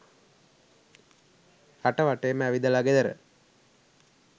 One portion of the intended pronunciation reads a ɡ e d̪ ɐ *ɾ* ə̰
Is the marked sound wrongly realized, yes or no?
no